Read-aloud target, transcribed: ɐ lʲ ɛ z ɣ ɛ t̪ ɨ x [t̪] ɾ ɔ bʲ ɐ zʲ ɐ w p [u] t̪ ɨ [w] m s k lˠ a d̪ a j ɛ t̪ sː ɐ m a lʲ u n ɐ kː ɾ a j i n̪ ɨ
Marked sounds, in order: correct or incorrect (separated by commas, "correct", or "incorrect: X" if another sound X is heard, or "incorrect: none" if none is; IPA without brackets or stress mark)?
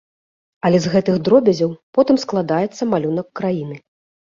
incorrect: d̪, incorrect: ɔ, incorrect: none